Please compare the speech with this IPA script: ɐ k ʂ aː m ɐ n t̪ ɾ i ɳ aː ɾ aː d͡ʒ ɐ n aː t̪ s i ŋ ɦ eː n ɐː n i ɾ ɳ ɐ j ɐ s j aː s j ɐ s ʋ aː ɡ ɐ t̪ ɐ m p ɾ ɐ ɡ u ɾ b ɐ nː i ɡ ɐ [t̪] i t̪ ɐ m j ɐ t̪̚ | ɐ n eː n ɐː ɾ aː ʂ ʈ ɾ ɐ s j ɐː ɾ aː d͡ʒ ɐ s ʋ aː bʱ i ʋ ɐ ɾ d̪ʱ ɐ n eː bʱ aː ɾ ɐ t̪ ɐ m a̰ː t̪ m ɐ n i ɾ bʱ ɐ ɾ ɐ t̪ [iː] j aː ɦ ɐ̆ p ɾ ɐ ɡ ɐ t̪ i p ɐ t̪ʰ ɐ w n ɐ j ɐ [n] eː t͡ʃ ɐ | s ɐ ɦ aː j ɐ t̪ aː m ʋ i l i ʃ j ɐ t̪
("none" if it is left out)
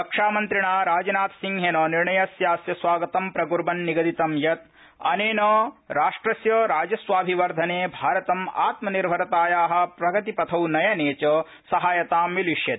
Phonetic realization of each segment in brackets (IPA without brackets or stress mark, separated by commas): d̪, aː, n